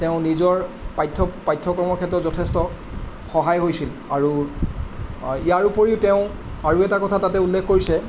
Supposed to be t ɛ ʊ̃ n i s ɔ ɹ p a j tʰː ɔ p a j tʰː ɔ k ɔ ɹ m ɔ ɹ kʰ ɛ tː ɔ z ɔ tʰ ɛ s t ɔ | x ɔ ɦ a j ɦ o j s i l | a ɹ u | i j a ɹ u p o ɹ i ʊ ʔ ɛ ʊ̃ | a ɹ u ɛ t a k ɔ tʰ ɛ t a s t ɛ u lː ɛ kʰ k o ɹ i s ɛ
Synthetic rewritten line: t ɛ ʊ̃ n i z ɔ ɹ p a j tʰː ɔ p a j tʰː ɔ k ɔ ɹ m ɔ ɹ kʰ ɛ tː ɔ z ɔ tʰ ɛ s t ɔ | x ɔ ɦ a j ɦ o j s i l | a ɹ u | i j a ɹ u p o ɹ i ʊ t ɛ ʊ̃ | a ɹ u ɛ t a k ɔ tʰ a t a t ɛ u lː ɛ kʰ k o ɹ i s ɛ